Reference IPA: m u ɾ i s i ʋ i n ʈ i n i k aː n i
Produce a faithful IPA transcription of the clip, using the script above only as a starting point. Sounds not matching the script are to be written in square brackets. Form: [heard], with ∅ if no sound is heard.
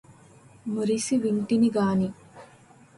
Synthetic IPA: m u ɾ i s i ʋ i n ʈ i n i [ɡ] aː n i